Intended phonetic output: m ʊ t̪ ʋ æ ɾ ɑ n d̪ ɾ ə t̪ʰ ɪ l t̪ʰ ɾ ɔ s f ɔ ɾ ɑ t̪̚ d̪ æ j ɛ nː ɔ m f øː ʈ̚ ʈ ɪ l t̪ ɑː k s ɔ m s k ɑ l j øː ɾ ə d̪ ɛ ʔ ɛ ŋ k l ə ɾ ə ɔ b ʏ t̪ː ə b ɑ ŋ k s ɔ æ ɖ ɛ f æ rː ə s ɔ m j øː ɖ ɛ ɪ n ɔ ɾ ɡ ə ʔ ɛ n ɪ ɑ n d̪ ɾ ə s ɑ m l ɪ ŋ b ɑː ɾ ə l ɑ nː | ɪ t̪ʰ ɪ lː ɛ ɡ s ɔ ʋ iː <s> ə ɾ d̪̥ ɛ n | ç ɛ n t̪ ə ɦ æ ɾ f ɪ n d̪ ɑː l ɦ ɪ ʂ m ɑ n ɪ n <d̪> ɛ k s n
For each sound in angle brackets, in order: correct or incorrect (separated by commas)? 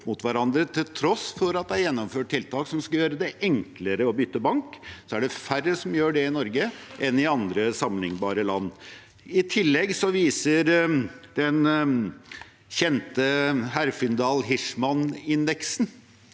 correct, correct